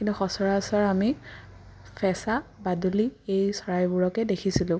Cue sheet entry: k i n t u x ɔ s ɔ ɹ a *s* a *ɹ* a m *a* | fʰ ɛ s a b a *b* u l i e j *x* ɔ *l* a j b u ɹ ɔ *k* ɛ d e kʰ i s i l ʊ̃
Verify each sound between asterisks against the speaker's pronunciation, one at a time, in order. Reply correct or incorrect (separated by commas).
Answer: correct, correct, incorrect, incorrect, incorrect, incorrect, correct